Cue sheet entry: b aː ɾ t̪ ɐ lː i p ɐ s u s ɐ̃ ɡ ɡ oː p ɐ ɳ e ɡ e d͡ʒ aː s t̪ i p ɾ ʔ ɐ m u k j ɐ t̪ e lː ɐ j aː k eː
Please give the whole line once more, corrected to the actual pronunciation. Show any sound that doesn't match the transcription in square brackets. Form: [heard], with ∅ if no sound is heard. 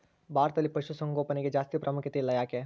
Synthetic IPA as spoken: b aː ɾ t̪ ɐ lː i p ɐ [ʃ] u s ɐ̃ [ŋ] ɡ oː p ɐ [n] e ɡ e d͡ʒ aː s t̪ i p ɾ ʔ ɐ m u k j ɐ t̪ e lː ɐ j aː k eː